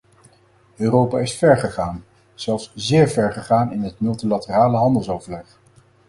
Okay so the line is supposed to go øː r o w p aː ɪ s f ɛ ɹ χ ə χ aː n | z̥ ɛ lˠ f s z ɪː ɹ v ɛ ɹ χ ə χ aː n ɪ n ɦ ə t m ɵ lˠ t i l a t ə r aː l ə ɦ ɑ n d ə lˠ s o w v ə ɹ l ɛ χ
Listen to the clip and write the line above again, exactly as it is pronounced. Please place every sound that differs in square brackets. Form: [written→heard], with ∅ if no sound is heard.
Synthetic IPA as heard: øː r o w p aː ɪ s f ɛ ɹ χ ə χ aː n | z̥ ɛ lˠ f s z ɪː ɹ v ɛ ɹ χ ə χ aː n ɪ n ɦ ə t m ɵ lˠ t i l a t ə r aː l ə ɦ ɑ n d ə lˠ s o w v ə ɹ l ɛ χ